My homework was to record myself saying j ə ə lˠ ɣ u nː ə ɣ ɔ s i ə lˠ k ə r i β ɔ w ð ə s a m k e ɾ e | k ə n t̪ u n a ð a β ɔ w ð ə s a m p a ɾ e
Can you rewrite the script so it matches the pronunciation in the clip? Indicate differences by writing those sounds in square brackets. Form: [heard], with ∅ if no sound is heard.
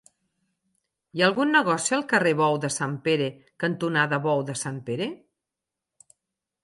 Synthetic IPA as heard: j [a] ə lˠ ɣ u nː ə ɣ ɔ s i ə lˠ k ə r [e] β ɔ w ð ə s a m [p] e ɾ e | k ə n t̪ u n a ð [ə] β ɔ w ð ə s a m p [e] ɾ e